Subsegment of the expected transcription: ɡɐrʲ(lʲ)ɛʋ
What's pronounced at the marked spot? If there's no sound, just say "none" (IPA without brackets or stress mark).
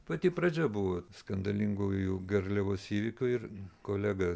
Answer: lʲ